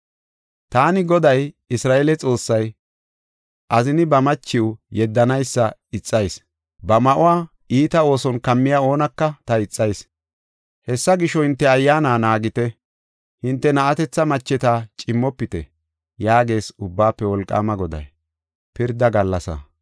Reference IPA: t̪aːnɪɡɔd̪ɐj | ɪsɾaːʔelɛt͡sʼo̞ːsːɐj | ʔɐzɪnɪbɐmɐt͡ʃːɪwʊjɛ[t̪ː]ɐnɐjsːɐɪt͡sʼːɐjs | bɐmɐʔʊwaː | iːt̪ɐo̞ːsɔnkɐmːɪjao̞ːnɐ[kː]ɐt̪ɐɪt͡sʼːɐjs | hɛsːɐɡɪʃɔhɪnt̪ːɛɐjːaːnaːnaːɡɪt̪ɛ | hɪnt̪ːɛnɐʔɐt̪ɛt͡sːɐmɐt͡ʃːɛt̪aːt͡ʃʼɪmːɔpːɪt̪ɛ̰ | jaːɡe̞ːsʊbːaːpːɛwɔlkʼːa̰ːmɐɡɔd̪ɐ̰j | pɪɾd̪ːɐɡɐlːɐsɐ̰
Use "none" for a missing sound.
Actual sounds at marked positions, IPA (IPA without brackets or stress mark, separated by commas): d̪ː, kː